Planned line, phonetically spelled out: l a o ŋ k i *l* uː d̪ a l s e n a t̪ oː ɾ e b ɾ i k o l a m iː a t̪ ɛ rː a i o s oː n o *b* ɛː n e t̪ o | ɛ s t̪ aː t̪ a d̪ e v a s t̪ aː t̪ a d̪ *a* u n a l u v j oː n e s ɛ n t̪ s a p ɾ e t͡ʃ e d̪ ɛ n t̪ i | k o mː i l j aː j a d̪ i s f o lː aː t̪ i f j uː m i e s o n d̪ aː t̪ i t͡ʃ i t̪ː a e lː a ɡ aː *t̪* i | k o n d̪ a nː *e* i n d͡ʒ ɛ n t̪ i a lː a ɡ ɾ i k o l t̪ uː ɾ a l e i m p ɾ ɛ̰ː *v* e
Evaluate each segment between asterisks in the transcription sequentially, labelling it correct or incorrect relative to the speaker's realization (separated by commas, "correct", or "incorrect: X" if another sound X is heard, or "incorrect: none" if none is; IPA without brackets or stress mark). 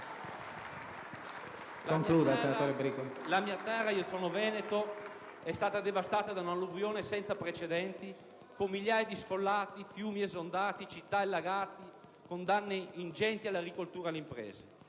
correct, incorrect: v, correct, correct, correct, incorrect: z